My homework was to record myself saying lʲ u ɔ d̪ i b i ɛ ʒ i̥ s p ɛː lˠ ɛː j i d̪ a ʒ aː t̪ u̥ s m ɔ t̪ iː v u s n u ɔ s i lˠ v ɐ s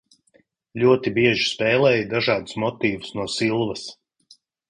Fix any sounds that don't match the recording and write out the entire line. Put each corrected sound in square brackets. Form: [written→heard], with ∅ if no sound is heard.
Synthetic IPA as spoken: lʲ u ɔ [d̪→t̪] i b i ɛ ʒ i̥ s p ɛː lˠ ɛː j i d̪ a ʒ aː [t̪→d̪] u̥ s m ɔ t̪ iː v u s n u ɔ s i lˠ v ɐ s

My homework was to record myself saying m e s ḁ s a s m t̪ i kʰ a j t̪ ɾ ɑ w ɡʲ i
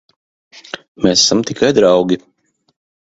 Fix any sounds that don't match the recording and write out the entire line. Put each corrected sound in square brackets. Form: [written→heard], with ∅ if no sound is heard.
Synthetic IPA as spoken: m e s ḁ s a [s→∅] m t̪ i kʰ a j [t̪→d̪] ɾ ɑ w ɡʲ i

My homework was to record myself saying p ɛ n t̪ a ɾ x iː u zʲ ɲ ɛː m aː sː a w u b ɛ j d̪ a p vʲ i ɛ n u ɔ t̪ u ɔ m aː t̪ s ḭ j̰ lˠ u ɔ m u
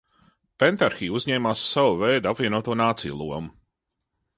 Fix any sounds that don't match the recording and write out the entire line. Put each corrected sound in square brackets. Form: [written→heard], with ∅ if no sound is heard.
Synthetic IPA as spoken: p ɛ n t̪ a ɾ x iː u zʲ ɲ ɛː m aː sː a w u [b→v] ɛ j d̪ a p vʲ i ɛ n u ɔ t̪ u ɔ [m→n] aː t̪ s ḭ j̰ lˠ u ɔ m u

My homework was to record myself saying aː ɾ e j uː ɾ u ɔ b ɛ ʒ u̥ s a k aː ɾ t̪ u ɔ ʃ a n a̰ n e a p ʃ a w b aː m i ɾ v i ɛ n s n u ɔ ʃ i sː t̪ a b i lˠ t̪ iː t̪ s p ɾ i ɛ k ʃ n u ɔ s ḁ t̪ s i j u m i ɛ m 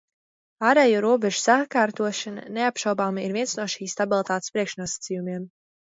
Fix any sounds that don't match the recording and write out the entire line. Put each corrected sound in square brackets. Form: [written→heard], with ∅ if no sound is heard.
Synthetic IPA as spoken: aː ɾ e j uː ɾ u ɔ b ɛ ʒ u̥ s a k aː ɾ t̪ u ɔ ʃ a n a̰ n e a p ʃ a w b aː m i ɾ v i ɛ n s n u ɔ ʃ [i→iː] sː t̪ a b i lˠ t̪ [iː→aː] t̪ s p ɾ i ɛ k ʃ n u ɔ s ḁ t̪ s i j u m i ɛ m

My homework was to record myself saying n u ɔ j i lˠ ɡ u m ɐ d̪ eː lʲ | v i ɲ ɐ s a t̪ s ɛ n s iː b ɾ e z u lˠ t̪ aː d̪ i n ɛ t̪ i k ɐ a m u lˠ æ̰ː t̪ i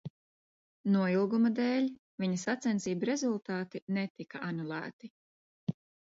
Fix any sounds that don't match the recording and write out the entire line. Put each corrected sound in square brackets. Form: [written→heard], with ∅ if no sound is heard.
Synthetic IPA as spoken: n u ɔ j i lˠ ɡ u m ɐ d̪ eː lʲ | v i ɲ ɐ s a t̪ s ɛ n s iː b ɾ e z u lˠ t̪ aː [d̪→t̪] i n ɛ t̪ i k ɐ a [m→n] u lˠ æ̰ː t̪ i

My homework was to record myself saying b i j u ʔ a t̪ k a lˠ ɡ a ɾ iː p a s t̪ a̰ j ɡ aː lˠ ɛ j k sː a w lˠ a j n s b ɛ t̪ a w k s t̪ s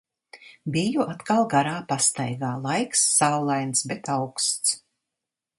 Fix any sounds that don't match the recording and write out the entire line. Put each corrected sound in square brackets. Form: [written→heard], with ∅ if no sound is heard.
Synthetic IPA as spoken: b i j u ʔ a t̪ k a lˠ ɡ a ɾ [iː→aː] p a s t̪ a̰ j ɡ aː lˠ [ɛ→a] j k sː a w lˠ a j n s b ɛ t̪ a w k s t̪ s

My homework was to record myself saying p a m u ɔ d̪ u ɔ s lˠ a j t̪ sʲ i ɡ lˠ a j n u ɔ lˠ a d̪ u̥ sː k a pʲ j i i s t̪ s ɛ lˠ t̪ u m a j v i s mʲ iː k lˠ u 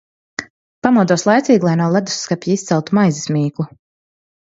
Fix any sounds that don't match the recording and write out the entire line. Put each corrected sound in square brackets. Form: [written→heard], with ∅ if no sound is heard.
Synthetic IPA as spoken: p a m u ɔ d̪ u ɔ s lˠ a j t̪ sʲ [i→iː] ɡ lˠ a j n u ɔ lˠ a d̪ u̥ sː k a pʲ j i i s t̪ s ɛ lˠ t̪ u m a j [v→z] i s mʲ iː k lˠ u

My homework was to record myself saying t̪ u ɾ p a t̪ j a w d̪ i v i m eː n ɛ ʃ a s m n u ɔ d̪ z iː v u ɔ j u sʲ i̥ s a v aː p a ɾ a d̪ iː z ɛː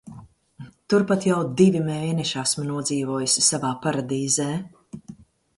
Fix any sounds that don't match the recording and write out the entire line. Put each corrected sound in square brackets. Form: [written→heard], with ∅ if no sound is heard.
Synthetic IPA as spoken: t̪ u ɾ p a t̪ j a w d̪ i v i m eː n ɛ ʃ a s m n u ɔ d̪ z iː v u ɔ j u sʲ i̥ s a v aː p a ɾ a d̪ iː z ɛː

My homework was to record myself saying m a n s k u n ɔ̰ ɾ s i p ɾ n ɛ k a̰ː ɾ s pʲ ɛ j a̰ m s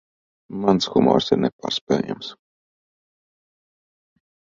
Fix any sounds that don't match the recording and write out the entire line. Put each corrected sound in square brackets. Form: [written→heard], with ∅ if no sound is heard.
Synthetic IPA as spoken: m a n s [k→x] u [n→m] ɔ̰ ɾ s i [p→∅] ɾ n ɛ [k→p] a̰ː ɾ s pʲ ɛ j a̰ m s

